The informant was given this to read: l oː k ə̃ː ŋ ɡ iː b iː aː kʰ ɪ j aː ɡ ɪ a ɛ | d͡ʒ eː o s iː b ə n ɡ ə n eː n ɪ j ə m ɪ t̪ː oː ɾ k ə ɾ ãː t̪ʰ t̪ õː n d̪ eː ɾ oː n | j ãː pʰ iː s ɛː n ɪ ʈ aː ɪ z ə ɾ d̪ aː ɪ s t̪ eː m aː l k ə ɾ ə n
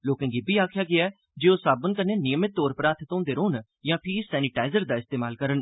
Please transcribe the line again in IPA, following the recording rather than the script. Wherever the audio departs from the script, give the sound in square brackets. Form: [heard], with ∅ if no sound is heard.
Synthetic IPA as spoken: l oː k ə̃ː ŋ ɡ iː b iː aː kʰ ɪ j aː ɡ ɪ a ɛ | d͡ʒ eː o s [aː] b ə n [k] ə n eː n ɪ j ə m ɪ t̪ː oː ɾ [p] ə ɾ [aː] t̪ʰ t̪ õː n d̪ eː ɾ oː n | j ãː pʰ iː s ɛː n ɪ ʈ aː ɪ z ə ɾ d̪ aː ɪ s t̪ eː m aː l k ə ɾ ə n